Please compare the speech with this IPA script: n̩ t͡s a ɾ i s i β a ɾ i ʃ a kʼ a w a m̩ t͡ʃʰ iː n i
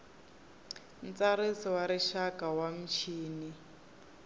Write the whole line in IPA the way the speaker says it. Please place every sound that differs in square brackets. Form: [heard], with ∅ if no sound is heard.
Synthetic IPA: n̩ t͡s a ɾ i s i [w] a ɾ i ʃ a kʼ a w a m̩ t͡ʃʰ iː n i